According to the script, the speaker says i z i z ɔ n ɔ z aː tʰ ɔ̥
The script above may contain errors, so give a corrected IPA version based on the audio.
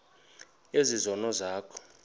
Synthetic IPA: e z i z ɔ n ɔ z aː kʰ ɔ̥